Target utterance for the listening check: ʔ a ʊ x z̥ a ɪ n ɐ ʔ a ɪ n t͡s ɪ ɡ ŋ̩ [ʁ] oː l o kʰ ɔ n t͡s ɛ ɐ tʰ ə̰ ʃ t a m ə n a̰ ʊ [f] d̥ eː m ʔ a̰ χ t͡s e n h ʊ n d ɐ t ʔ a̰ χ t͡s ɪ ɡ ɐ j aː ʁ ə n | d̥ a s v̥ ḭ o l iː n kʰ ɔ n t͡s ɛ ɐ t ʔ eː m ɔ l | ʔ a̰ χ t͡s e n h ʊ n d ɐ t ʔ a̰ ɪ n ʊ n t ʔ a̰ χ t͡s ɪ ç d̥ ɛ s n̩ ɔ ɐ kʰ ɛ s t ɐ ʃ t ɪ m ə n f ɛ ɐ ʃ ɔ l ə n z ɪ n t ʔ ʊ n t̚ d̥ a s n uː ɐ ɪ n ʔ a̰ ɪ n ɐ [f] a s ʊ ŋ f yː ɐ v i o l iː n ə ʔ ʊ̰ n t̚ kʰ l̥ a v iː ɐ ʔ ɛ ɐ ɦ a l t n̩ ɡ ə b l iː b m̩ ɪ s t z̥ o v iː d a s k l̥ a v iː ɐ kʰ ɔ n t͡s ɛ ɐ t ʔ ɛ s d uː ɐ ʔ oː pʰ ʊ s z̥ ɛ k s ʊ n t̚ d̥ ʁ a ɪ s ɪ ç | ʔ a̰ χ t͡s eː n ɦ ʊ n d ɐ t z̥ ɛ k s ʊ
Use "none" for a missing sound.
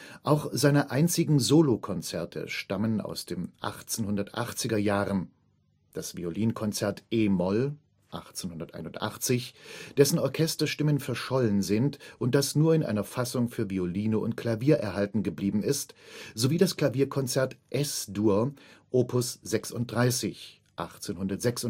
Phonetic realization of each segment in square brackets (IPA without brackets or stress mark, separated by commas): z, s, f